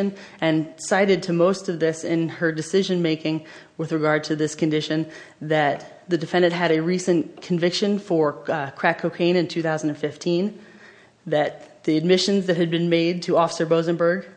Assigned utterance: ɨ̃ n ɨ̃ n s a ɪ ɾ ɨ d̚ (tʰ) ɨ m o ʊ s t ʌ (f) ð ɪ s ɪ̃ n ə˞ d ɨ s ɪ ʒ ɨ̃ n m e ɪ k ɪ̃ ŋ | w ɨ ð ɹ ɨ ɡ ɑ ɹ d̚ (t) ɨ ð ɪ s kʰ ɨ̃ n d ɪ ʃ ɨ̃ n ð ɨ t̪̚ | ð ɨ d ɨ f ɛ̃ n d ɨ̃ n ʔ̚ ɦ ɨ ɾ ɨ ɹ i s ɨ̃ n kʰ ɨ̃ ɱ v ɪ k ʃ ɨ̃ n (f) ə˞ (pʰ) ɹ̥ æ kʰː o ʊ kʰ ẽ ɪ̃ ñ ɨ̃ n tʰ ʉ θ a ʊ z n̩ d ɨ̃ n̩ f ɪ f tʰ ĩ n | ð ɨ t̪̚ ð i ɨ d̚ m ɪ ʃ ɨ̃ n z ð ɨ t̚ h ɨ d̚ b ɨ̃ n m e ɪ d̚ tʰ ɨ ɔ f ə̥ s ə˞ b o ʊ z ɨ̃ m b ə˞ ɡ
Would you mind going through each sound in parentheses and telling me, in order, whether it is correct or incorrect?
correct, incorrect: v, incorrect: tʰ, correct, incorrect: kʰ

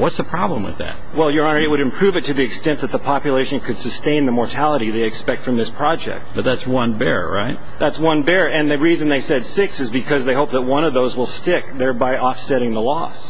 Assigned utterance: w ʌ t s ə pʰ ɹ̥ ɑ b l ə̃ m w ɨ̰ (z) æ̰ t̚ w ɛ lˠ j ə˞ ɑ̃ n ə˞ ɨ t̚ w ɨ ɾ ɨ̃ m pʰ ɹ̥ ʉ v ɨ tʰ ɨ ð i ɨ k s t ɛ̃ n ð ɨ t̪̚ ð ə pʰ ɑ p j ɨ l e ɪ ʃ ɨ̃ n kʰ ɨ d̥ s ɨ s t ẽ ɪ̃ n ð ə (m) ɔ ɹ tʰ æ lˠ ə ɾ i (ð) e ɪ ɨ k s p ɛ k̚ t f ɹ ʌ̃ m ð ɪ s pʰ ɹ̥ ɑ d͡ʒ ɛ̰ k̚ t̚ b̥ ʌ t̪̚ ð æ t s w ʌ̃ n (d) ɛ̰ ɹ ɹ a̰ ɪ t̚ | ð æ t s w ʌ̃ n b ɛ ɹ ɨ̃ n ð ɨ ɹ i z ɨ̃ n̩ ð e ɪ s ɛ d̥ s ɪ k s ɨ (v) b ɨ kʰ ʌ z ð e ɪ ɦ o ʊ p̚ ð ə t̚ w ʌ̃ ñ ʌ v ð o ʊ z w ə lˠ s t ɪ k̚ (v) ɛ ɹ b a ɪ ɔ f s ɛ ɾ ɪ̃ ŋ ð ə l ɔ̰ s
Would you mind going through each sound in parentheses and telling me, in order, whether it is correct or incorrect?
incorrect: ð, correct, correct, incorrect: b, incorrect: z, incorrect: ð

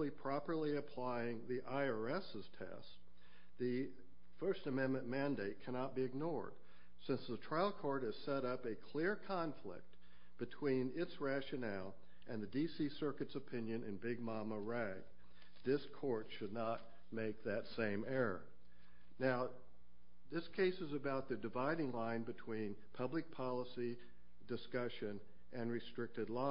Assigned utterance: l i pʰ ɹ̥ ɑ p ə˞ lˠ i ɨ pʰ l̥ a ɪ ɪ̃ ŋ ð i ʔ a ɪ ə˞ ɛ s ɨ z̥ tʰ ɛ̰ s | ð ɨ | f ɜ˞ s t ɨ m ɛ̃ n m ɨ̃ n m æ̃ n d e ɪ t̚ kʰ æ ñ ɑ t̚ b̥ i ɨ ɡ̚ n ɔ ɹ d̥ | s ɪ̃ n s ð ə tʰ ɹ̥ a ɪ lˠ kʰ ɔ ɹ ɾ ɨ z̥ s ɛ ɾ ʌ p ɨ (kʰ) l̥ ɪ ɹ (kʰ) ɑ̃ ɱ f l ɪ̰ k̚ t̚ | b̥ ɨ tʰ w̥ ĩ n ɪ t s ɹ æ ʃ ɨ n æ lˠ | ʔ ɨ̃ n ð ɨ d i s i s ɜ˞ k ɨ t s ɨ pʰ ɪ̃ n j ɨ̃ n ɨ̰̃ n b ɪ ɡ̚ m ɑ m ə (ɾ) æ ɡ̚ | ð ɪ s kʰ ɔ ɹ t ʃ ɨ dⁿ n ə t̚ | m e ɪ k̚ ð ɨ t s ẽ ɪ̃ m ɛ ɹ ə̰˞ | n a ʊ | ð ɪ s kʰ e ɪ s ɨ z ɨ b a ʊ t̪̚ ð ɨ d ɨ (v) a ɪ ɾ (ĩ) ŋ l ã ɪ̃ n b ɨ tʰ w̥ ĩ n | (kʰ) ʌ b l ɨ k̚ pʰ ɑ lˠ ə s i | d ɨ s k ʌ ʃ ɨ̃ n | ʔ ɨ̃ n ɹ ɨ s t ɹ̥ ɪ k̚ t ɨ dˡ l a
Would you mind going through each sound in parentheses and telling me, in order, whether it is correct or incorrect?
correct, correct, incorrect: ɹ, correct, incorrect: ɪ̃, incorrect: pʰ

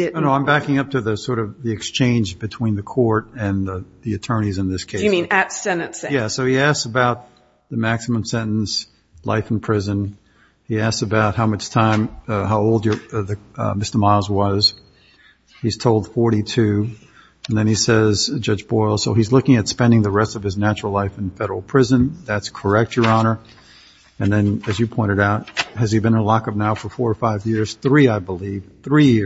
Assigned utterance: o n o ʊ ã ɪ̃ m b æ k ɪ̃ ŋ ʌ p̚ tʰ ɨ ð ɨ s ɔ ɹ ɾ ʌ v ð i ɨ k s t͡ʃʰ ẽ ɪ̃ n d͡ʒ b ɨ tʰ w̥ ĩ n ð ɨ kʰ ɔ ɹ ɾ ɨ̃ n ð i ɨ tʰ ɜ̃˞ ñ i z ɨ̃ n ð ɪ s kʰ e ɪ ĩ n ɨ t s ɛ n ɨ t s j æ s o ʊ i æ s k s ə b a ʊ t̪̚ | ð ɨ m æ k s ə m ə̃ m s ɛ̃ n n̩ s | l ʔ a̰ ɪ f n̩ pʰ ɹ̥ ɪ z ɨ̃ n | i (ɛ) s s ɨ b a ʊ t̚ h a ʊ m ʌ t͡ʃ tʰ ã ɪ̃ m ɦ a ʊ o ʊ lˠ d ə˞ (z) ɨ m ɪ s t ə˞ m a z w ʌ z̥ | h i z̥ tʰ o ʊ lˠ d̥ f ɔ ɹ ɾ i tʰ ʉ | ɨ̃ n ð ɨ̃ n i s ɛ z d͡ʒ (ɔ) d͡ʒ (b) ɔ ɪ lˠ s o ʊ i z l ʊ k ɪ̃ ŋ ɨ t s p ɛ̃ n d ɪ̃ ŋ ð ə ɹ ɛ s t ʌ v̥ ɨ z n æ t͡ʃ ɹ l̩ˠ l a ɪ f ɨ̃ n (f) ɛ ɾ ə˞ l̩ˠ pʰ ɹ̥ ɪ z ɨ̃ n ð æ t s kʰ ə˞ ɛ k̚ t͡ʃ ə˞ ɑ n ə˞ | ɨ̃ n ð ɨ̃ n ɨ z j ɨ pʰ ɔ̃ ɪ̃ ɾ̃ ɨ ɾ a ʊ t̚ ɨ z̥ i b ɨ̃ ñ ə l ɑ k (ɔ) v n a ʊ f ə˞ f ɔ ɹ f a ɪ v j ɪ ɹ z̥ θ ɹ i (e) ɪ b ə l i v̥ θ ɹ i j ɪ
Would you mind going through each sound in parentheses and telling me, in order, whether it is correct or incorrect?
incorrect: æ, incorrect: ð, incorrect: ʌ, correct, correct, incorrect: ʌ, incorrect: a

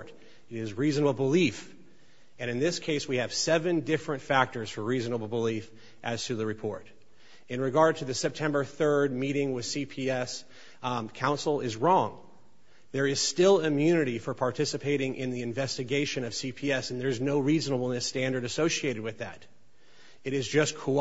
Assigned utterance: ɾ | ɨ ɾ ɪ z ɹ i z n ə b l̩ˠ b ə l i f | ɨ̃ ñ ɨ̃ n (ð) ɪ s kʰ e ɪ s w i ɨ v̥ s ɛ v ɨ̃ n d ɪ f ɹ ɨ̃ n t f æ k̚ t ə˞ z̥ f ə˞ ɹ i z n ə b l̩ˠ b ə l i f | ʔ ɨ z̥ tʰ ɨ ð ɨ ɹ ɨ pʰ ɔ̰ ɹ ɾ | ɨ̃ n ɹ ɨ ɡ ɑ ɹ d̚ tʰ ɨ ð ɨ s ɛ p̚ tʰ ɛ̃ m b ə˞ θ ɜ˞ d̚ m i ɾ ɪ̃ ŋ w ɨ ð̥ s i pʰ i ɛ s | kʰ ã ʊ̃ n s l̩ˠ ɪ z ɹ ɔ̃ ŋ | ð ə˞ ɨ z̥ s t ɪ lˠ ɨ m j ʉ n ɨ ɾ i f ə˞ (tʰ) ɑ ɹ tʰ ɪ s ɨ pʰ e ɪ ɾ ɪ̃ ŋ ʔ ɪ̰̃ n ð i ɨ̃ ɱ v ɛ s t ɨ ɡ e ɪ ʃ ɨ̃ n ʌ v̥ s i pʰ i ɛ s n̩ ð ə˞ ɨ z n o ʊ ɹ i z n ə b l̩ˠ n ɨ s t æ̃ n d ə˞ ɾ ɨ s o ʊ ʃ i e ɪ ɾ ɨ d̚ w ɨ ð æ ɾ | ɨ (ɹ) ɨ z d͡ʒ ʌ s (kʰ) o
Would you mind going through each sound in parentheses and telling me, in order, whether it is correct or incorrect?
correct, incorrect: pʰ, incorrect: ɾ, correct

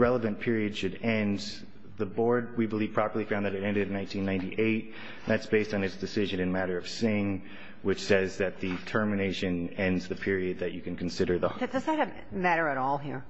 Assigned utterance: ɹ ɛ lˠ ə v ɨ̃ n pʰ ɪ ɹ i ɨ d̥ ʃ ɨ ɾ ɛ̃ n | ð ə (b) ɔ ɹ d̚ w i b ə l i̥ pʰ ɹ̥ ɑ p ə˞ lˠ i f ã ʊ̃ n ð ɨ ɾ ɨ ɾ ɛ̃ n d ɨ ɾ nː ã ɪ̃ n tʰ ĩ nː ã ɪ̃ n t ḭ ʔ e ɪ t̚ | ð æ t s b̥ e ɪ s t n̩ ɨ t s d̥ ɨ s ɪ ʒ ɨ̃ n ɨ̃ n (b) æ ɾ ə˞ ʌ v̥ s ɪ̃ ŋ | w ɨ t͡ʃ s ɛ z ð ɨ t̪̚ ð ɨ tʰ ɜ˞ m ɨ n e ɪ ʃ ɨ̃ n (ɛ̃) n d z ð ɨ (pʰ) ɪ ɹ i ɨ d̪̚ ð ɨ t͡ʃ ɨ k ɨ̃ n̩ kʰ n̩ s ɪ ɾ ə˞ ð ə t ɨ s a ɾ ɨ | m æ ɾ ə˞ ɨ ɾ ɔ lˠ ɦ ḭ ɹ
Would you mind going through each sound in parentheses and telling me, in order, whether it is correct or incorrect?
correct, incorrect: m, correct, correct

